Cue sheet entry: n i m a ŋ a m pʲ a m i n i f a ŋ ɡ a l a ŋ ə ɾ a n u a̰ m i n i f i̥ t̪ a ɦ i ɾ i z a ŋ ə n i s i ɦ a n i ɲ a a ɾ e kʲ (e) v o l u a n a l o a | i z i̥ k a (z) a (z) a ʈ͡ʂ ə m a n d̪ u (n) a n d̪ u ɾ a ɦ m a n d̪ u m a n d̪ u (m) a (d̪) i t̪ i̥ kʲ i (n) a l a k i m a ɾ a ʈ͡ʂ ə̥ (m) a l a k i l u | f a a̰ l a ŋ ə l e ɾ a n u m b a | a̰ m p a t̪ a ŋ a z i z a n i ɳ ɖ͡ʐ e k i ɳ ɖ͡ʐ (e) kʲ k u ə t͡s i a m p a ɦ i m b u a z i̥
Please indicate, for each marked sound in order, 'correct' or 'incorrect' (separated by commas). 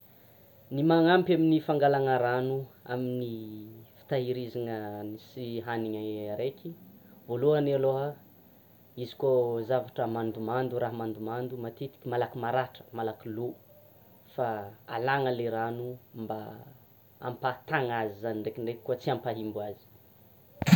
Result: incorrect, correct, incorrect, incorrect, correct, incorrect, incorrect, correct, correct